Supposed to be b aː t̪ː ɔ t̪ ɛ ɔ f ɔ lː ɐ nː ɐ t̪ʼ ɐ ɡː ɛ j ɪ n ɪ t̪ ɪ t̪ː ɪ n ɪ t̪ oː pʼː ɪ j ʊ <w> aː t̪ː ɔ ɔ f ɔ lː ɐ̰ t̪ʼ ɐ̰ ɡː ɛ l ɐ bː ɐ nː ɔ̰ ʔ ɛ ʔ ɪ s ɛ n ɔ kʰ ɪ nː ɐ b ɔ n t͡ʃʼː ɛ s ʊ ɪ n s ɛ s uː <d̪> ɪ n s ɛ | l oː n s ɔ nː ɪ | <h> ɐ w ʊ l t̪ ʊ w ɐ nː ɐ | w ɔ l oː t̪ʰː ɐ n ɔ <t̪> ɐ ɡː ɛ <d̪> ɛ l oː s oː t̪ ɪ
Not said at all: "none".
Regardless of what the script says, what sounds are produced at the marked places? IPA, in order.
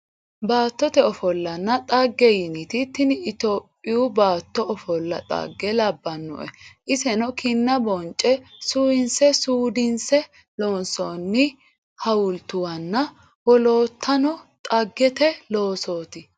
b, d̪, h, t̪ʼ, t̪

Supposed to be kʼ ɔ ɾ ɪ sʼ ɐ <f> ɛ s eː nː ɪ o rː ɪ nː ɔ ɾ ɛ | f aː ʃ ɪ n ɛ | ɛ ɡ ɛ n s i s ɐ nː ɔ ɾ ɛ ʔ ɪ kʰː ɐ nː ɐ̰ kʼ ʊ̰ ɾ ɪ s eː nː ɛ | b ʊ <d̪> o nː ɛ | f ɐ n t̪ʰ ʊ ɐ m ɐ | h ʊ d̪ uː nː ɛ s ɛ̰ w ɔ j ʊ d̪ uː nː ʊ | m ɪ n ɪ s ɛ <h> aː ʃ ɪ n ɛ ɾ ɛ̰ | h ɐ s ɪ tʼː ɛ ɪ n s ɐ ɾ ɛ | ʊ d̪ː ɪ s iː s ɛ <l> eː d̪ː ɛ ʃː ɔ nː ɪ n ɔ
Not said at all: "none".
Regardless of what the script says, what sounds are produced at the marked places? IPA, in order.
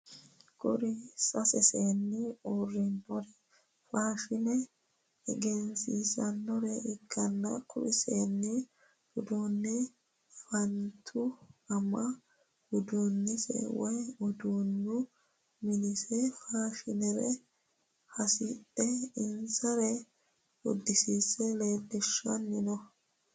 s, d̪, f, l

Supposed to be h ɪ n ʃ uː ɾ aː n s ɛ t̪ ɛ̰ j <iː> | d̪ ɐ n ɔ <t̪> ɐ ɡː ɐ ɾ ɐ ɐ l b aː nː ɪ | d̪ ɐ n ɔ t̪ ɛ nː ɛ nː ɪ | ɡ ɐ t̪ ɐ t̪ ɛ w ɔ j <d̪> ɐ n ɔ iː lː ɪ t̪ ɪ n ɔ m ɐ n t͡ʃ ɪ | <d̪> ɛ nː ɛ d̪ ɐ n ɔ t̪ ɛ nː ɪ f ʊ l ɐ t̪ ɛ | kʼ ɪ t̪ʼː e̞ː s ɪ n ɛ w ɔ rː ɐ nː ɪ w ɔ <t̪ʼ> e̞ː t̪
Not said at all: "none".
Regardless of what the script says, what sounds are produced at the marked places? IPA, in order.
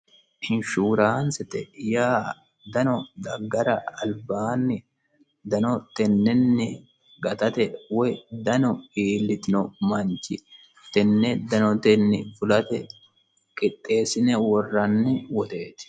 aː, d̪, d̪, t̪, t̪

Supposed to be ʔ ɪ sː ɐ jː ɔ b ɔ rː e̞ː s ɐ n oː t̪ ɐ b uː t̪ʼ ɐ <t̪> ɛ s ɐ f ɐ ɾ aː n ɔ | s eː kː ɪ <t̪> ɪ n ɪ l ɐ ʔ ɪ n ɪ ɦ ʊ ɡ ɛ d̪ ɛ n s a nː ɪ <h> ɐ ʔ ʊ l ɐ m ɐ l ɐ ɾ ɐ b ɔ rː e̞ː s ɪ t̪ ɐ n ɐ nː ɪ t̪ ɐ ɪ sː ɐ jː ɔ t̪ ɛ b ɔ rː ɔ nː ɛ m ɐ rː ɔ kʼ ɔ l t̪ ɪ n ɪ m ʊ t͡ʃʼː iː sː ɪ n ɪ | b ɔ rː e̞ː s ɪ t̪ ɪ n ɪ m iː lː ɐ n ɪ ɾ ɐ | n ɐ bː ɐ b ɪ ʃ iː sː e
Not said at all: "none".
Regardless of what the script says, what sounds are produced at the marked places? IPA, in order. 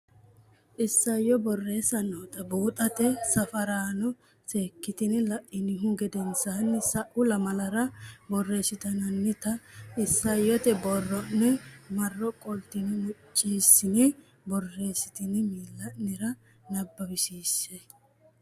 t̪, t̪, s

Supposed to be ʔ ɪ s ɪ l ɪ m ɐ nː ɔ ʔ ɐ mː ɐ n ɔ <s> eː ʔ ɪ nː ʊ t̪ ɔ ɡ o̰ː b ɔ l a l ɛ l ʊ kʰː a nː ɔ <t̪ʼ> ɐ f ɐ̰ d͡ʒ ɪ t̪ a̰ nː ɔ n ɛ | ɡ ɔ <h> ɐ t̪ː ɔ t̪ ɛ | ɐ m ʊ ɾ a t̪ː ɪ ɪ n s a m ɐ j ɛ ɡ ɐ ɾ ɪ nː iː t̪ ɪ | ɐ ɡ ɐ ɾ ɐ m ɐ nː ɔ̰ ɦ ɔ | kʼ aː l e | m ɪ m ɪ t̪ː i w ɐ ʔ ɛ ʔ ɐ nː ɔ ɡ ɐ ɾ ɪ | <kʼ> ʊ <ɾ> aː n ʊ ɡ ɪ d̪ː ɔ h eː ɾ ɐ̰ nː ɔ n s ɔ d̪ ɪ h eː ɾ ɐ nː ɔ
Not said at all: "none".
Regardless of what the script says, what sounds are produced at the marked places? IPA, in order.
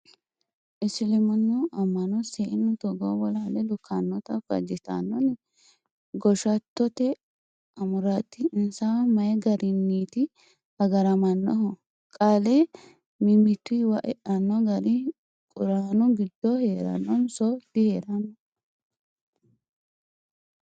s, t̪, ʃ, kʼ, ɾ

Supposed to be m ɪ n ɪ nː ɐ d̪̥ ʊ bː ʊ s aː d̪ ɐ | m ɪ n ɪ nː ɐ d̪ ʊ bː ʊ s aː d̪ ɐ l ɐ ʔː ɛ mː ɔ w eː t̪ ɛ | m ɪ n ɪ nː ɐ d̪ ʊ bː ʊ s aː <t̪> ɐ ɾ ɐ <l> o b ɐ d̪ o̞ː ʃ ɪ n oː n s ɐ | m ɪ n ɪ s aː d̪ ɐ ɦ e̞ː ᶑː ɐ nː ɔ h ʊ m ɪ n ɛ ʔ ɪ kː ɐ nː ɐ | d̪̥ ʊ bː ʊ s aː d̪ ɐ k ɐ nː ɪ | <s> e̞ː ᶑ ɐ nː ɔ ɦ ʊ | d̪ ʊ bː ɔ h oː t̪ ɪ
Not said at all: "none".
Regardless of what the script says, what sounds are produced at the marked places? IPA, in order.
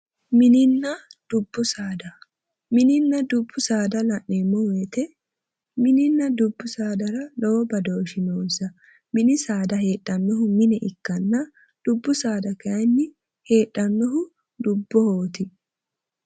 d̪, l, h

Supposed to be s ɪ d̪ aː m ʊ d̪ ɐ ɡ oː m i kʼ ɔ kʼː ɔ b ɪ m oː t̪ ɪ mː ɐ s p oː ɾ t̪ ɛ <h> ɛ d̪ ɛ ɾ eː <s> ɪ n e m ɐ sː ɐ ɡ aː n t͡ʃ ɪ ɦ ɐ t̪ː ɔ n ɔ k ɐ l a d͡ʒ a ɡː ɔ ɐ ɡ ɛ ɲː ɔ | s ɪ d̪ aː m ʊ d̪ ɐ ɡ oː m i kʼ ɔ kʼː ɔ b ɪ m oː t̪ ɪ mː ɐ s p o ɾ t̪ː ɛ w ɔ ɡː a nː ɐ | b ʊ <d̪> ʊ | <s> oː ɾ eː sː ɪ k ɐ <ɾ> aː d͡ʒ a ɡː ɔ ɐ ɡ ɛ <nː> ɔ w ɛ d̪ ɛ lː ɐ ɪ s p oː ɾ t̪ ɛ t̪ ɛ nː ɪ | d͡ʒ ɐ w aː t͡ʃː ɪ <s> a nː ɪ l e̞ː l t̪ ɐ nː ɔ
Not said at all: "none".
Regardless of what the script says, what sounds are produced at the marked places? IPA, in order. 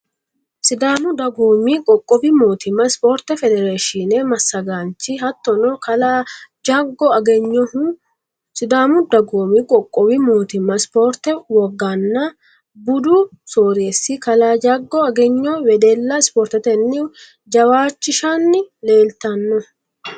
f, ʃ, d̪, s, l, ɲː, ʃ

